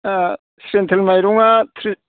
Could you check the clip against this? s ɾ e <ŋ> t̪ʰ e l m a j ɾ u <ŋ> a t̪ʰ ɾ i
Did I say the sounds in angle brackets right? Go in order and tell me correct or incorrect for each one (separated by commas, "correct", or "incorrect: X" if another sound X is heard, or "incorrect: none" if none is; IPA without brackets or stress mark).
incorrect: n, correct